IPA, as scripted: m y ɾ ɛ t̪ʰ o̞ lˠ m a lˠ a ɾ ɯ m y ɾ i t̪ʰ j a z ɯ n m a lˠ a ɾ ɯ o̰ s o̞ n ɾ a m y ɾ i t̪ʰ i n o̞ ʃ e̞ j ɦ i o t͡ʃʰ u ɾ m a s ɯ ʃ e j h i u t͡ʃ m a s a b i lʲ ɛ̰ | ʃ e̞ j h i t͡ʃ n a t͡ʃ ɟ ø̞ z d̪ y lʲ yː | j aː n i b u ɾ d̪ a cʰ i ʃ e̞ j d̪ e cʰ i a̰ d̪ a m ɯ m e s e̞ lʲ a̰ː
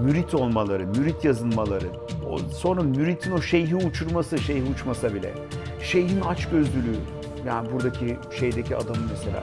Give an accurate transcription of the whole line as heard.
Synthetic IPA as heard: m y ɾ i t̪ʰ o̞ lˠ m a lˠ a ɾ ɯ m y ɾ i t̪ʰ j a z ɯ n m a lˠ a ɾ ɯ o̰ s o̞ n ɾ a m y ɾ i t̪ʰ i n o̞ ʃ e̞ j ɦ i u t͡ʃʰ u ɾ m a s ɯ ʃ e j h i u t͡ʃ m a s a b i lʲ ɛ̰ | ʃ e̞ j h i n a t͡ʃ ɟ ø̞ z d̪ y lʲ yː | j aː n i b u ɾ d̪ a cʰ i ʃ e̞ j d̪ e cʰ i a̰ d̪ a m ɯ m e s e̞ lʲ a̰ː